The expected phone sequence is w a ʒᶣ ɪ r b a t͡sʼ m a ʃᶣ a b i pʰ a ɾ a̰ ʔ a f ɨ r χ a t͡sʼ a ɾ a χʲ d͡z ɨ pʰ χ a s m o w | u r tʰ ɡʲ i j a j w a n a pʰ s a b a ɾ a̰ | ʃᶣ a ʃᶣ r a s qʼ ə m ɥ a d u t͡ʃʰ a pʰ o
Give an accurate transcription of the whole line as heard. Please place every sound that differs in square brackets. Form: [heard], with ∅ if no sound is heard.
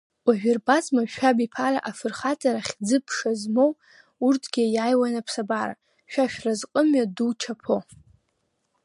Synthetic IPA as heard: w a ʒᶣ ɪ r b a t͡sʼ m a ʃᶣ a b i pʰ a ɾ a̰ ʔ a f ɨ r χ a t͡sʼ a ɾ a χʲ d͡z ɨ pʰ [ʂ] a [z] m o w | u r tʰ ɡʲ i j a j w a n a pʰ s a b a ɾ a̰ | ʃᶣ a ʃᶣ r a [z] qʼ ə m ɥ a d u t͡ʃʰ a pʰ o

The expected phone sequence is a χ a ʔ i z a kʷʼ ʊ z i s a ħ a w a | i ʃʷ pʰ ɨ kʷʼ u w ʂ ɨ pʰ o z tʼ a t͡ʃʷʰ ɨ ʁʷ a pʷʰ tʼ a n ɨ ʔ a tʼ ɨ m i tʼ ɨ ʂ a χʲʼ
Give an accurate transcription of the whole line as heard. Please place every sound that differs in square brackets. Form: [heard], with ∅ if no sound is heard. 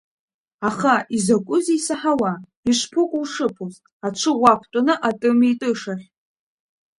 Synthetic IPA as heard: a χ a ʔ i z a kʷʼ ʊ z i s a ħ a w a | i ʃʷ pʰ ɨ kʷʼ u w ʂ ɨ pʰ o z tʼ a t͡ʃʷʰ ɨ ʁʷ a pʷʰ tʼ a n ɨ ʔ a tʼ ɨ m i tʼ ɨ ʂ a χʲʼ

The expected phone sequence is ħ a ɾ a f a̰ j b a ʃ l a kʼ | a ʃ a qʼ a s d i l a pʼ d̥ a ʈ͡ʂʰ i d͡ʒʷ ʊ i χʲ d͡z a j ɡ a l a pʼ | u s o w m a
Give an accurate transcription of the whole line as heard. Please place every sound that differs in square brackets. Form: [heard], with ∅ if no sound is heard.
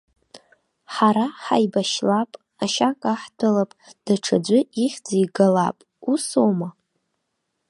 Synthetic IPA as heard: ħ a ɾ a [ħ] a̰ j b a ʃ l a [pʼ] | a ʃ a [kʼ] a [ħ] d [a] l a pʼ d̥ a ʈ͡ʂʰ [a] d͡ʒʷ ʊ i χʲ d͡z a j ɡ a l a pʼ | u s o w m a

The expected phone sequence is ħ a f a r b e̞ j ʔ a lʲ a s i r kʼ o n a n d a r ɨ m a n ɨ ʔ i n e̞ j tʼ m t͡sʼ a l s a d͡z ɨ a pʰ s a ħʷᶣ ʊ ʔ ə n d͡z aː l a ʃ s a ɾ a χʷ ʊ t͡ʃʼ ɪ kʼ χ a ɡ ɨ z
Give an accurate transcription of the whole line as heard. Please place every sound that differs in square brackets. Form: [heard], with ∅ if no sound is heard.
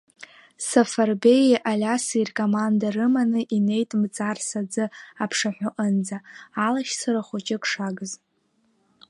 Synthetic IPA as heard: [s] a f a r b e̞ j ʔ a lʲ a s i r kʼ o [m] a n d a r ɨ m a n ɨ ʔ i n e̞ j tʼ m t͡sʼ a [r] s a d͡z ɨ a pʰ [ʂ] a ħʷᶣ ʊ ʔ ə n d͡z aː l a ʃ s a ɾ a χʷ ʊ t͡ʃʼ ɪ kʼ [ʂ] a ɡ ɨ z

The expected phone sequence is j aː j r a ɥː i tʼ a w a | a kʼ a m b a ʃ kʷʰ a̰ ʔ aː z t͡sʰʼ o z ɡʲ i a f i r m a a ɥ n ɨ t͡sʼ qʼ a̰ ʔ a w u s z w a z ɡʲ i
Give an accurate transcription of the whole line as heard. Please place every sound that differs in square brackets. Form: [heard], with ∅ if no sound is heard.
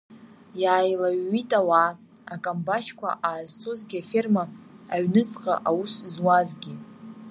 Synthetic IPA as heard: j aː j [l] a ɥː i tʼ a w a | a kʼ a m b a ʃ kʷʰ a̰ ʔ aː z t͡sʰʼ o z ɡʲ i a f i r m a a ɥ n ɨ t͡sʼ qʼ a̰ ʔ a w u s z w a z ɡʲ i

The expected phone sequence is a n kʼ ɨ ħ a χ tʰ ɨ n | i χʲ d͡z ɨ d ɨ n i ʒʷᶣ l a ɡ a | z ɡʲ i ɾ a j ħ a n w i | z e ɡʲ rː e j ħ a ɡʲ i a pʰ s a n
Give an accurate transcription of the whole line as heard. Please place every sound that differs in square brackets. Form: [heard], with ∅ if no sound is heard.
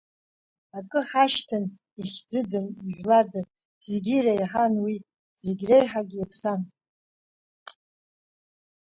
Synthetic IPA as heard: a [∅] kʼ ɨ ħ a [ʃ] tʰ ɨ n | i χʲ d͡z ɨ d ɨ n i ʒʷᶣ l a [d] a | z ɡʲ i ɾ a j ħ a n w i | z e ɡʲ [r] e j ħ a ɡʲ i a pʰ s a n

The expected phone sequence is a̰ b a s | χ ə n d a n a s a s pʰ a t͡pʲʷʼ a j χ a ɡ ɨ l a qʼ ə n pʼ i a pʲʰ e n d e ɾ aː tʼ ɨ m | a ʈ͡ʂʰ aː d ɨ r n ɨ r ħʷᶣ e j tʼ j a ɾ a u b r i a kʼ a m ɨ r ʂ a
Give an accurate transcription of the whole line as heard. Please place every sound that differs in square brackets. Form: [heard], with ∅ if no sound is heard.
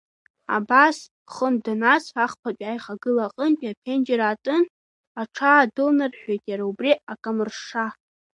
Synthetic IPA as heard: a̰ b a s | χ ə n d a n a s a [χ] pʰ a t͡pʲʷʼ a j χ a ɡ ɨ l a qʼ ə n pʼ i a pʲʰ e n [d͡ʒ] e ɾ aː tʼ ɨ [n] | a ʈ͡ʂʰ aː d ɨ [l] n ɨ r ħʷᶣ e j tʼ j a ɾ a u b r i a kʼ a m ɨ r ʂ a

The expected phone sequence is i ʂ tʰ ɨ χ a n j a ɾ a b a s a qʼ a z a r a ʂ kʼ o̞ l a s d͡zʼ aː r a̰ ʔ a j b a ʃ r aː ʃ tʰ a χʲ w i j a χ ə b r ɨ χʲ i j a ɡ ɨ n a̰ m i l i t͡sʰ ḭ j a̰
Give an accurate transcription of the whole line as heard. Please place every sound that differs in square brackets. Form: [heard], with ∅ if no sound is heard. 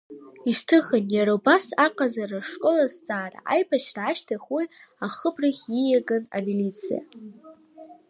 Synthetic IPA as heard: i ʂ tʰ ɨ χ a n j a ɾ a b a s a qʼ a z a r a ʂ kʼ o̞ l a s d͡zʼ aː r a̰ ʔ a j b a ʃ r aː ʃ tʰ a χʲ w i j a χ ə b r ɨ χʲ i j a ɡ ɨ n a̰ m i l i t͡sʰ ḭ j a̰

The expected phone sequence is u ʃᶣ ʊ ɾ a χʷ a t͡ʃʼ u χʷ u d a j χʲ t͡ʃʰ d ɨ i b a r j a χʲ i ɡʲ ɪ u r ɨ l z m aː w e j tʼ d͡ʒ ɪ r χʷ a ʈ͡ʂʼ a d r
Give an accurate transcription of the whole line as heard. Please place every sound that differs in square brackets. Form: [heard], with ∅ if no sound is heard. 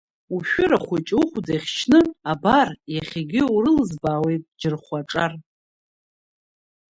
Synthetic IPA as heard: u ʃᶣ ʊ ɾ a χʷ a t͡ʃʼ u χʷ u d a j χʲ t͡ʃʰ [n] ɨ [a] b a r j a χʲ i ɡʲ ɪ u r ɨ l z [b] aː w e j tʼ d͡ʒ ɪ r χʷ a ʈ͡ʂʼ a [∅] r

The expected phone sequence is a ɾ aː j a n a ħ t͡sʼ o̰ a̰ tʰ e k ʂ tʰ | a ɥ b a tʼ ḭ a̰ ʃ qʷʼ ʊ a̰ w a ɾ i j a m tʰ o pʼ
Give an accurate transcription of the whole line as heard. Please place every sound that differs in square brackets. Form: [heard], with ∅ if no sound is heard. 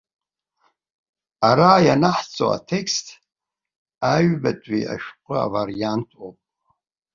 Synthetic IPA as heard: a ɾ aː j a n a ħ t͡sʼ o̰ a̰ tʰ e k [s] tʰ | a ɥ b a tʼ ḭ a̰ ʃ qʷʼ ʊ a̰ [v] a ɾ i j a [n] tʰ o pʼ

